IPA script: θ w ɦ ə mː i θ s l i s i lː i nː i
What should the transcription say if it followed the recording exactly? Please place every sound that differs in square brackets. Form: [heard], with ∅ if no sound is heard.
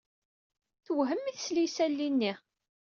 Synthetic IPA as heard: θ w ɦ ə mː i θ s l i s [æ] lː i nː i